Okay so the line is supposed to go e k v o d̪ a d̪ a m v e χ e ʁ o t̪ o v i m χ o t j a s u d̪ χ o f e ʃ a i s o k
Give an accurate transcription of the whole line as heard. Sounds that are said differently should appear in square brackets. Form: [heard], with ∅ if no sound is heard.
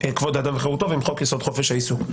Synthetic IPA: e k v o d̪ a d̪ a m v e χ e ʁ [u] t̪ o v i m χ o [k] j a s [o] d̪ χ o f e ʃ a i s [u] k